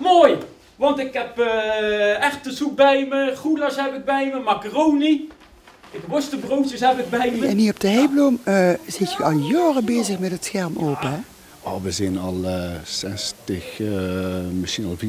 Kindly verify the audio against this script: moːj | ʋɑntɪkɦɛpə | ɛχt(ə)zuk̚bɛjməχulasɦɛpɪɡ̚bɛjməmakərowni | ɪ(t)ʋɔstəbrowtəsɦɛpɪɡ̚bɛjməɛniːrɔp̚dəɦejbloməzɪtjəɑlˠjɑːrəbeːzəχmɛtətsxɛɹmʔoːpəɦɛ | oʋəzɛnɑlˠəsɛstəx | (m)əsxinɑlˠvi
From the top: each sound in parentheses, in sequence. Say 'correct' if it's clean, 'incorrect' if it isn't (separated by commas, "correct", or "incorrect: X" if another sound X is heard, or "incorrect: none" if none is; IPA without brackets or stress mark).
correct, incorrect: k, correct